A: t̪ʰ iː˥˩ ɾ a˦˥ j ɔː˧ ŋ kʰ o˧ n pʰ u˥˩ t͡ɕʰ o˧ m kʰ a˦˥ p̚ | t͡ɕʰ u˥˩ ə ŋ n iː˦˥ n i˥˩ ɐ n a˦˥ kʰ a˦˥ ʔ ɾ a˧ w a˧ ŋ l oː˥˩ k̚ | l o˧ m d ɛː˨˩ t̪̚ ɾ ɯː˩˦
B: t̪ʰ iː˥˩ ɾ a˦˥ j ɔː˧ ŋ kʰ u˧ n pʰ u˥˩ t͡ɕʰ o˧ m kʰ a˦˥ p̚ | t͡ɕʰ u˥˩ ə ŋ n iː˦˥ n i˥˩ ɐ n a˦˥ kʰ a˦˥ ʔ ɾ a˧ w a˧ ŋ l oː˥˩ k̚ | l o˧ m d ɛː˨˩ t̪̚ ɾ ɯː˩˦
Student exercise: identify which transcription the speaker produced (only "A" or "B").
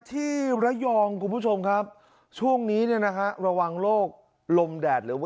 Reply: B